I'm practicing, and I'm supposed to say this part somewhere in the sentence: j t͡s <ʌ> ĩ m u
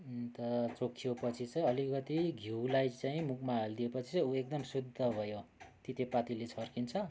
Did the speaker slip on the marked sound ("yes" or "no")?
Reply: yes